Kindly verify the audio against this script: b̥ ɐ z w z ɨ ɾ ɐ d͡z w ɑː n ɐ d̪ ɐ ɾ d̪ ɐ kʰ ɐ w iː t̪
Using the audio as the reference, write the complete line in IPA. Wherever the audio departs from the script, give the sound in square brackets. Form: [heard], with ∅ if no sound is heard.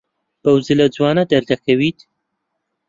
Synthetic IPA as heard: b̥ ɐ [∅] w z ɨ [l] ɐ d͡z w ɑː n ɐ d̪ ɐ ɾ d̪ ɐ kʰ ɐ w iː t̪